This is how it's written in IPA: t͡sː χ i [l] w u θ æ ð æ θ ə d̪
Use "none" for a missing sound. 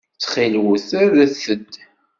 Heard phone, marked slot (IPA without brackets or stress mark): l